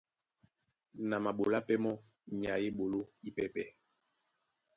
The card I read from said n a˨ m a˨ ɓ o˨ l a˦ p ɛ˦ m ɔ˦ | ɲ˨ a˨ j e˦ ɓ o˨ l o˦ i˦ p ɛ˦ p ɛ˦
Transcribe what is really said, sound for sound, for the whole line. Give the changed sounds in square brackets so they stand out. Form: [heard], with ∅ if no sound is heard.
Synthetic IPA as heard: n a˨ m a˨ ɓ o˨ l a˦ p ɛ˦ m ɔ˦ | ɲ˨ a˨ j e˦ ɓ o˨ l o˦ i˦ p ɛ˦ p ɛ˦